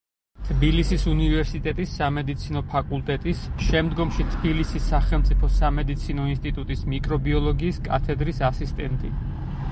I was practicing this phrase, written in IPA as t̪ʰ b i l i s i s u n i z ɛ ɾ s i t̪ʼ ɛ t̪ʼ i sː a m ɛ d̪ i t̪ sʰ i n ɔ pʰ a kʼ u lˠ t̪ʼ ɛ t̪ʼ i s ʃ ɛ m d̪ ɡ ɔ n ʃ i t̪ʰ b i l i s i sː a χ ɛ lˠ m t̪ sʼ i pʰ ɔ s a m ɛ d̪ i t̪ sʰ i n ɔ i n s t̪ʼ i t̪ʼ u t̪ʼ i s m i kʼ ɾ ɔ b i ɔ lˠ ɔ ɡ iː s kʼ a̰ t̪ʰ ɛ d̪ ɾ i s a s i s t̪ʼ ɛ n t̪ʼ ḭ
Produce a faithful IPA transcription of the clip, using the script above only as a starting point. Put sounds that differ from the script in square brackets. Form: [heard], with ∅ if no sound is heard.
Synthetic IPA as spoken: t̪ʰ b i l i s i s u n i [v] ɛ ɾ s i t̪ʼ ɛ t̪ʼ i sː a m ɛ d̪ i t̪ sʰ i n ɔ pʰ a kʼ u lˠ t̪ʼ ɛ t̪ʼ i s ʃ ɛ m d̪ ɡ ɔ [m] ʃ i t̪ʰ b i l i s i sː a χ ɛ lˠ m t̪ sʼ i pʰ ɔ s a m ɛ d̪ i t̪ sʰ i n ɔ i n s t̪ʼ i t̪ʼ u t̪ʼ i s m i kʼ ɾ ɔ b i ɔ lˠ ɔ ɡ iː s kʼ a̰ t̪ʰ ɛ d̪ ɾ i s a s i s t̪ʼ ɛ n t̪ʼ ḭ

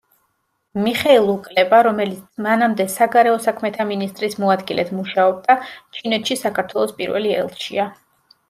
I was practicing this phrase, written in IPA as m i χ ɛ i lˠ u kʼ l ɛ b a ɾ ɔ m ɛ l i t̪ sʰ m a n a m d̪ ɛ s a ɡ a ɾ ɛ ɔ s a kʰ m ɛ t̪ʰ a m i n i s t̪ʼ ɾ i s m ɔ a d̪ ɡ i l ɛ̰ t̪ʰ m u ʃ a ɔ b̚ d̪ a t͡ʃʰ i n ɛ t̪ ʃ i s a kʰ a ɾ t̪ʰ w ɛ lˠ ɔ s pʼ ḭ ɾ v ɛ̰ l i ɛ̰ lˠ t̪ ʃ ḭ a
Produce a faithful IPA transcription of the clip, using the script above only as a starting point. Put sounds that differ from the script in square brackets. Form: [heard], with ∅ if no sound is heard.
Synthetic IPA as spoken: m i χ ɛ i lˠ u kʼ l ɛ b a ɾ ɔ m ɛ l i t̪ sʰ m a n a m d̪ ɛ s a ɡ a ɾ ɛ ɔ s a kʰ m ɛ t̪ʰ a m i n i s t̪ʼ ɾ i s m ɔ a d̪ ɡ i l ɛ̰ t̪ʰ m u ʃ a ɔ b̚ d̪ a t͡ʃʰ i n ɛ t̪ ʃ i s a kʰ a ɾ t̪ʰ w ɛ lˠ ɔ s pʼ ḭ ɾ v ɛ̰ l i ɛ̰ lˠ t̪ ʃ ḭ a

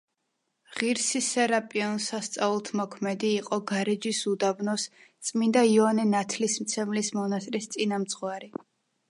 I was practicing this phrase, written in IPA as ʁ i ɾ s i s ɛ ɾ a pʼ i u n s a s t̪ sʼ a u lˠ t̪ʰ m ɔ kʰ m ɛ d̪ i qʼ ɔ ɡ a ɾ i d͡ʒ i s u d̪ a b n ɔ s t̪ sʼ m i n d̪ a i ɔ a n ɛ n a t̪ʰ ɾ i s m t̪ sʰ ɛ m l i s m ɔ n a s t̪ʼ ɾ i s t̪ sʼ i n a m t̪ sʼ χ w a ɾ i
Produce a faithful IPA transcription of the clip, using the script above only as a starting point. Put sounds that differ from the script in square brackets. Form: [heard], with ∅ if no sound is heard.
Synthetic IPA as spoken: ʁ i ɾ s i s ɛ ɾ a pʼ i [ɔ] n s a s t̪ sʼ a u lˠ t̪ʰ m ɔ kʰ m ɛ d̪ [iː] qʼ ɔ ɡ a ɾ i d͡ʒ i s u d̪ a b n ɔ s t̪ sʼ m i n d̪ a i ɔ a n ɛ n a t̪ʰ [l] i s m t̪ sʰ ɛ m l i s m ɔ n a s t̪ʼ ɾ i s t̪ sʼ i n a m t̪ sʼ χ w a ɾ i

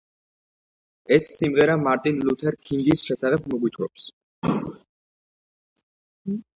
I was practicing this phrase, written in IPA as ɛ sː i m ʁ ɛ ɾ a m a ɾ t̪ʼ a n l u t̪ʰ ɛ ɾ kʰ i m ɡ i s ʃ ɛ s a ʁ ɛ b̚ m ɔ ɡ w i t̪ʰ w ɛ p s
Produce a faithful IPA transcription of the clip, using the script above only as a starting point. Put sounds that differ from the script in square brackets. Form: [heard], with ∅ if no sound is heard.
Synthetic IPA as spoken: ɛ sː i m ʁ ɛ ɾ a m a ɾ t̪ʼ [i] n l u t̪ʰ ɛ ɾ kʰ i [ŋ] ɡ i s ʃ ɛ s a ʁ ɛ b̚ m ɔ ɡ w i t̪ʰ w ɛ p s

